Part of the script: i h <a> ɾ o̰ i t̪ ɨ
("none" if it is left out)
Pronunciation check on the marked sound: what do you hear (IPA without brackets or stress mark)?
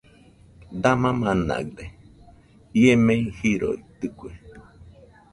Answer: i